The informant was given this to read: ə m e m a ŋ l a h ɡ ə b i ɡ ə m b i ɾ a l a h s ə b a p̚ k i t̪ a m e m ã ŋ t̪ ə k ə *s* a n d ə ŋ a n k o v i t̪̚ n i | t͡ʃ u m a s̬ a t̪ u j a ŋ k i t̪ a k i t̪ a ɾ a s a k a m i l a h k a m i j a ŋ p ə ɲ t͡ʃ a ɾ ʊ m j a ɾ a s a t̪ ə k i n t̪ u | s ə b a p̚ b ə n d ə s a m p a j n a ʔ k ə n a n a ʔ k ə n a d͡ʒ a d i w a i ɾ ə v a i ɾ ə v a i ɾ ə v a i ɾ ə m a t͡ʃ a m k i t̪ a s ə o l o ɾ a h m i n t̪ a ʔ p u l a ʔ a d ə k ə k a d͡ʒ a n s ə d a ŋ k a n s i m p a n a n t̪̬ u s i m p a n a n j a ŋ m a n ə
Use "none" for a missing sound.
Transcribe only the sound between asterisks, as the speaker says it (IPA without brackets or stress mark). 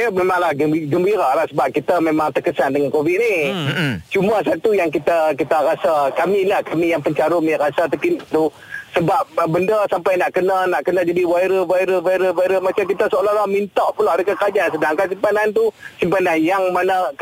s